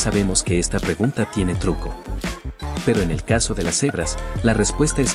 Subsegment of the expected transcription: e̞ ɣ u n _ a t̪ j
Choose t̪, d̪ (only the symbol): t̪